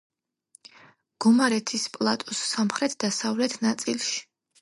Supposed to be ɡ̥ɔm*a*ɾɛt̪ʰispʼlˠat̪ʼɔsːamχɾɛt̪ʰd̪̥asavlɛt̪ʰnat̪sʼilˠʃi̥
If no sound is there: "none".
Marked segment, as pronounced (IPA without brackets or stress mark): a